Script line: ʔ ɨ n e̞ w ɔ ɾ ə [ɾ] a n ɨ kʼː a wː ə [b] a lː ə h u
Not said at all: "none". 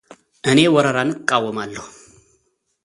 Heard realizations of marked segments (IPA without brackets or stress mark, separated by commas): ɾ, m